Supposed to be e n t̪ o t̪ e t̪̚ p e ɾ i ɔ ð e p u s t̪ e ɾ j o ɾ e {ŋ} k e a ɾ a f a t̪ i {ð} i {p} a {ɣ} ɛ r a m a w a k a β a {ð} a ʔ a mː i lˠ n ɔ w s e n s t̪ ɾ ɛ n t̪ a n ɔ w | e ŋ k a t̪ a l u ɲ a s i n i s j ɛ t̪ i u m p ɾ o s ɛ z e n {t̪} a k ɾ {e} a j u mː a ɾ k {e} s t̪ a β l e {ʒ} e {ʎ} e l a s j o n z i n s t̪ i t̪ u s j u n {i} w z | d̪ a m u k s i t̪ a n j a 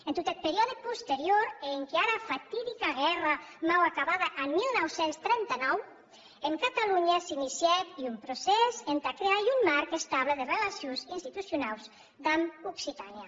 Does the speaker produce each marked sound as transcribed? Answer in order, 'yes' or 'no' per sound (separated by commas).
yes, yes, no, yes, yes, yes, yes, yes, no, no, no